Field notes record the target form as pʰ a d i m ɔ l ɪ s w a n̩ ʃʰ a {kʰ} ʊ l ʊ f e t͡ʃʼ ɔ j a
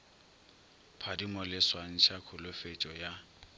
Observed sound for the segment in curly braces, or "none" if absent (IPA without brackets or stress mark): kʰ